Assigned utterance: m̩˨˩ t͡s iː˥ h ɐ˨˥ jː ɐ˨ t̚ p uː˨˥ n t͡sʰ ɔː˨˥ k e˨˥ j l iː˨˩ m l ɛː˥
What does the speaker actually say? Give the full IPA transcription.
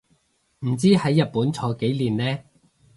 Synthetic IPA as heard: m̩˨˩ t͡s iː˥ h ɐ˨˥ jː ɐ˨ t̚ p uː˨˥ n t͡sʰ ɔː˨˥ k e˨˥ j l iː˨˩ n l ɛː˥

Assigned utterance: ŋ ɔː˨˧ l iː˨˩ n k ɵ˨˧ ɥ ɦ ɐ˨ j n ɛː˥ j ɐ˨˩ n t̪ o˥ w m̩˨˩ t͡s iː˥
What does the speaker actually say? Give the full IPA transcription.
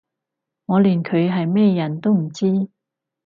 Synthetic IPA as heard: ŋ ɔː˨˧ l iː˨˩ n kʰ ɵ˨˧ ɥ ɦ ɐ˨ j m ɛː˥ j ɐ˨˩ n t̪ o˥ w m̩˨˩ t͡s iː˥

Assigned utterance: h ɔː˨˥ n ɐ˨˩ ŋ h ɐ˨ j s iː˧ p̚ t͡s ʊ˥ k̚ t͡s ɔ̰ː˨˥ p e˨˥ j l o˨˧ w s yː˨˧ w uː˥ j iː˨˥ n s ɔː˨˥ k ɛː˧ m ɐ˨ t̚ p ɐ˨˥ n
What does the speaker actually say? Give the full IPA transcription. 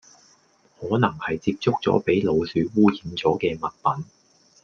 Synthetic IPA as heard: h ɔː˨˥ n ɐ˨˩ ŋ h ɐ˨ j t͡s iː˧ p̚ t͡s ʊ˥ k̚ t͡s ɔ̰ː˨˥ p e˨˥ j l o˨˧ w s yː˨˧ w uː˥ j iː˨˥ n t͡s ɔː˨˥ k ɛː˧ m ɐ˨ t̚ p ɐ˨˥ n

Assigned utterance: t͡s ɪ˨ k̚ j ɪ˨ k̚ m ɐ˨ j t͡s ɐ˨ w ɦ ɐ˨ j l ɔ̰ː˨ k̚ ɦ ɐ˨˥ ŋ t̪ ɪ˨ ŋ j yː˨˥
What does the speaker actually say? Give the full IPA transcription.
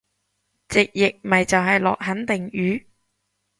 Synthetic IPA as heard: t͡s ɪ˨ k̚ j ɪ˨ k̚ m ɐ˨ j t͡s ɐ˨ w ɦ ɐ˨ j l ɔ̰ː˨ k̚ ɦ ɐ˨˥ n t̪ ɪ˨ ŋ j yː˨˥

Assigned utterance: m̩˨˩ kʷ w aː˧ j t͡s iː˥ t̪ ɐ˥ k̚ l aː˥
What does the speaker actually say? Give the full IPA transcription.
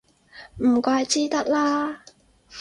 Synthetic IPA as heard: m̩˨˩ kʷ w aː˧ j t͡s iː˥ t̪ ɐ˥ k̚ l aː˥

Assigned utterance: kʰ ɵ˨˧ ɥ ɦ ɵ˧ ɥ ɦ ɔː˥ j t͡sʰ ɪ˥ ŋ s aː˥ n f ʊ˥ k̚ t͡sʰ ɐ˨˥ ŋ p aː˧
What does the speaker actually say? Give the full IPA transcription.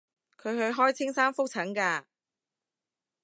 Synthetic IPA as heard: kʰ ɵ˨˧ ɥ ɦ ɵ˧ ɥ ɦ ɔː˥ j t͡sʰ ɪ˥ ŋ s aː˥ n f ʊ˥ k̚ t͡sʰ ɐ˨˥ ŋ k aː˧

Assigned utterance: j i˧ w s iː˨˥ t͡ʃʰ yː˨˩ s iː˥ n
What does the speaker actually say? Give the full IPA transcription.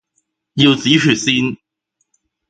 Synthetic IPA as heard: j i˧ w t͡s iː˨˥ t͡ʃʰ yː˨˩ s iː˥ n

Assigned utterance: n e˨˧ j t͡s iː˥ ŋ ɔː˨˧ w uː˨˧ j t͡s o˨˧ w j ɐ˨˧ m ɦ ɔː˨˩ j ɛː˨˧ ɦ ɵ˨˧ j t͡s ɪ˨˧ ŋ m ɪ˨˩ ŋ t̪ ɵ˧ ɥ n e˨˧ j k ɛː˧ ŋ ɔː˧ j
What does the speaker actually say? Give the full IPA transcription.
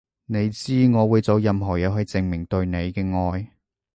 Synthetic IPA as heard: n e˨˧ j t͡s iː˥ ŋ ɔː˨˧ w uː˨˧ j t͡s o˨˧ w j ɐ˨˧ m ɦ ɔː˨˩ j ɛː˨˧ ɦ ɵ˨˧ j t͡s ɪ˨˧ ŋ m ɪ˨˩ ŋ t̪ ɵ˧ ɥ n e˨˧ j k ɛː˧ ŋ ɔː˧ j

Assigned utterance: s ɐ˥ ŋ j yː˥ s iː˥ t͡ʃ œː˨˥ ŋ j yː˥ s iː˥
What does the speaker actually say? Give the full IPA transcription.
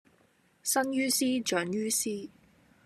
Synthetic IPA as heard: s ɐ˥ n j yː˥ s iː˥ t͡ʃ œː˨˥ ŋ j yː˥ s iː˥

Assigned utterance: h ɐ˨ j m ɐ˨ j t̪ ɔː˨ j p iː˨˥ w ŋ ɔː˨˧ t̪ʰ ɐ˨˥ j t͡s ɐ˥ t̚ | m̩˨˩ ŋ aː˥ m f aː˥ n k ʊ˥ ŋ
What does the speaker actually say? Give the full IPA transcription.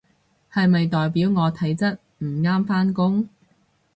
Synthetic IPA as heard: h ɐ˨ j m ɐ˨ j t̪ ɔː˨ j p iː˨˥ w ŋ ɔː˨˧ t̪ʰ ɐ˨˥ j t͡s ɐ˥ t̚ | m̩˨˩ ŋ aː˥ m f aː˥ n k ʊ˥ ŋ

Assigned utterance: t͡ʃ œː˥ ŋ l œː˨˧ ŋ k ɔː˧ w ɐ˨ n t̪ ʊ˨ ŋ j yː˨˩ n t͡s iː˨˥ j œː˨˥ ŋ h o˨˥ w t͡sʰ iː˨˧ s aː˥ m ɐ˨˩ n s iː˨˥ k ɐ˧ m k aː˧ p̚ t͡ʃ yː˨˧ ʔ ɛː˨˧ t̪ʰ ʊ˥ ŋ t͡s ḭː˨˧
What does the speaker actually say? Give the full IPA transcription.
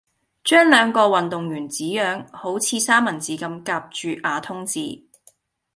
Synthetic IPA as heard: t͡ʃ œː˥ ŋ l œː˨˧ ŋ k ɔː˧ w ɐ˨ n t̪ ʊ˨ ŋ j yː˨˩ n t͡s iː˨˥ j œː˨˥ ŋ h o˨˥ w t͡sʰ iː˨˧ s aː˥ m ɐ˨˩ n t͡s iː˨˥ k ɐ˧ m k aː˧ p̚ t͡ʃ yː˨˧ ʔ aː˨˧ t̪ʰ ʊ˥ ŋ t͡s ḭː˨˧

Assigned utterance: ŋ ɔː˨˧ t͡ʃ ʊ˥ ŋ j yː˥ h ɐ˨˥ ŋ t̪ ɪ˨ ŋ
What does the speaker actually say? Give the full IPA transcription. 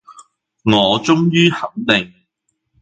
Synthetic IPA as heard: ŋ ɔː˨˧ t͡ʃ ʊ˥ ŋ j yː˥ h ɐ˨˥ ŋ t̪ ɪ˨ ŋ

